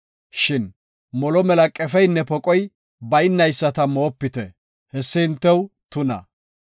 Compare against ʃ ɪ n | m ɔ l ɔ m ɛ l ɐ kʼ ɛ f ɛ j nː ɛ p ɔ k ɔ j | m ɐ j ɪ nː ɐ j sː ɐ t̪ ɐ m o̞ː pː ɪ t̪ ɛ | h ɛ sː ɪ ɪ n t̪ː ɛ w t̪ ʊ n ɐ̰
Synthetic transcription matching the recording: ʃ ɪ n | m ɔ l ɔ m ɛ l ɐ kʼ ɛ f ɛ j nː ɛ p ɔ kʼ ɔ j | b ɐ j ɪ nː ɐ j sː ɐ t̪ ɐ m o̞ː pː ɪ t̪ ɛ | h ɛ sː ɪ ɪ n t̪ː ɛ w t̪ ʊ n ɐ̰